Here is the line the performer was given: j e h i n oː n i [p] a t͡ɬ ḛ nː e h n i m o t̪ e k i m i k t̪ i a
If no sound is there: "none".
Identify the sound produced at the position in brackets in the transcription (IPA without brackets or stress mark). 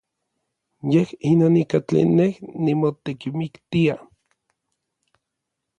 k